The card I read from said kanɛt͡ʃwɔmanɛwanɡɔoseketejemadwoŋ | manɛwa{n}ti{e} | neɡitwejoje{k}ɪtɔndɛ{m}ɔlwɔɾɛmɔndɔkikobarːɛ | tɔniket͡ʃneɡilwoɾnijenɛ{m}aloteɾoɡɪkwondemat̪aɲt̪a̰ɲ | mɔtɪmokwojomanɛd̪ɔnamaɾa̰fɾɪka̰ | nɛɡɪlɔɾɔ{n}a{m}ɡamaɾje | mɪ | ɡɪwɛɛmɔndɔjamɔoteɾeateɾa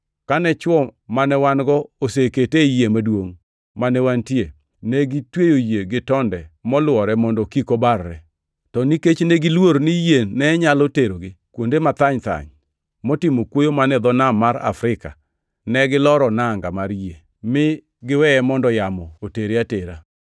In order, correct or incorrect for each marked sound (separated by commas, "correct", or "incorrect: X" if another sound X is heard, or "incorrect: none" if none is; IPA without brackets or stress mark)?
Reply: correct, correct, incorrect: ɡ, correct, incorrect: ɲ, correct, incorrect: ŋ